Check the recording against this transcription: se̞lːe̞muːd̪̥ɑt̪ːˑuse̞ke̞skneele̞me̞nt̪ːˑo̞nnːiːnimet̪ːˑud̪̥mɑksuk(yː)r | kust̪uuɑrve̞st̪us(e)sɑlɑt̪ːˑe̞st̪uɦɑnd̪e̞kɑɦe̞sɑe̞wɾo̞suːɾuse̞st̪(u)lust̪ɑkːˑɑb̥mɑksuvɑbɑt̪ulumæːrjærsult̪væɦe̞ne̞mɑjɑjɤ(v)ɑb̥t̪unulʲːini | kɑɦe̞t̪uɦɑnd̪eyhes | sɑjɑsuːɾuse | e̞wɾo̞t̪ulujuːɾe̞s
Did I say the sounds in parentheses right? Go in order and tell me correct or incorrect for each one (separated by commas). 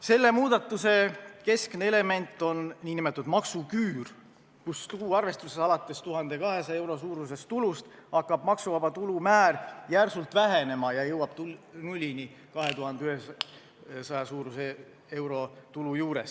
correct, correct, correct, incorrect